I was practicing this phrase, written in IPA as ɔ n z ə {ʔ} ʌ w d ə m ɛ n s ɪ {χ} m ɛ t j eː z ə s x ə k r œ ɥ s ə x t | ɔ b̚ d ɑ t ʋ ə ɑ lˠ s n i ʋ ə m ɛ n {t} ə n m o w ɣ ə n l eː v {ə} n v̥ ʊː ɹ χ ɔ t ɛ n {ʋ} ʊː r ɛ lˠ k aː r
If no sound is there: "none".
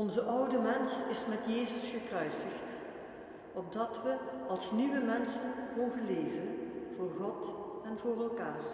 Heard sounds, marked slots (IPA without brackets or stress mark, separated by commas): ʔ, s, s, ə, v